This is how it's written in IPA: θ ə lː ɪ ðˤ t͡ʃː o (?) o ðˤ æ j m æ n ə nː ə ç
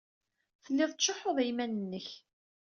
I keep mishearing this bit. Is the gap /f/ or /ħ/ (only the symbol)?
ħ